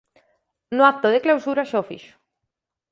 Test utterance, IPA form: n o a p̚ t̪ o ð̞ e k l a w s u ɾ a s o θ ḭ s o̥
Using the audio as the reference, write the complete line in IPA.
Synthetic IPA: n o a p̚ t̪ o ð̞ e k l a w s u ɾ a ʃ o f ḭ ʃ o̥